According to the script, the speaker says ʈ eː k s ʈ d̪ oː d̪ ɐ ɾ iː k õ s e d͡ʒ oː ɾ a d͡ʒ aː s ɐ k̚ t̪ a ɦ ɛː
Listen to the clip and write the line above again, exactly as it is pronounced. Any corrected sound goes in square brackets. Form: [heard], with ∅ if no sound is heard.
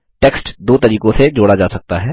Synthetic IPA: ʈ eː k s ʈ d̪ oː [t̪] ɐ ɾ iː k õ s e d͡ʒ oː [ɽ] a d͡ʒ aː s ɐ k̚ t̪ a ɦ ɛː